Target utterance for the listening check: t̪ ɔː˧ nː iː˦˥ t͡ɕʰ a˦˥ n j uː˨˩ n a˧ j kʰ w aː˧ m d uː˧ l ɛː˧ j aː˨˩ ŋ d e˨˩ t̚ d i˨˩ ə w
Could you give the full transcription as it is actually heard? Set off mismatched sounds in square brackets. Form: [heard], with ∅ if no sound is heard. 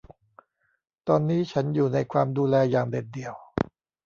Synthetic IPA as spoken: t̪ ɔː˧ nː iː˦˥ t͡ɕʰ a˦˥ n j uː˨˩ n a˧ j kʰ w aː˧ m d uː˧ l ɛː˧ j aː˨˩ ŋ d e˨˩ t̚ d i˨˩ ə w